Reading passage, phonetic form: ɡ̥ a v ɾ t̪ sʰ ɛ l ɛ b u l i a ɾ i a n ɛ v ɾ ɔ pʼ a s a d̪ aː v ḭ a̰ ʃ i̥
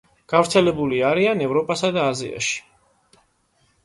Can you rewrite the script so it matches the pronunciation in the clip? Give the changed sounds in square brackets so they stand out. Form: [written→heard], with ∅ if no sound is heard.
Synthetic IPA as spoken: ɡ̥ a v ɾ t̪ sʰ ɛ l ɛ b u l i a ɾ i a n ɛ v ɾ ɔ pʼ a s a d̪ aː [v→z] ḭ a̰ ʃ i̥